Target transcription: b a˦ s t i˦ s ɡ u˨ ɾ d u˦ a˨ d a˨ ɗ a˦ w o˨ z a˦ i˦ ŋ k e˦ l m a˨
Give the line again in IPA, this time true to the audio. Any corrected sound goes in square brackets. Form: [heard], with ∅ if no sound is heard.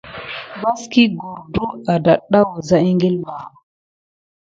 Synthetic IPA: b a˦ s [k] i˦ [∅] ɡ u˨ ɾ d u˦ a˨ d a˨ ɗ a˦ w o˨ z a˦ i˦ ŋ [ɡ] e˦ l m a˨